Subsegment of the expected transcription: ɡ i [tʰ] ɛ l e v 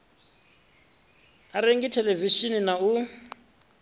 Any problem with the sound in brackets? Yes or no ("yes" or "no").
no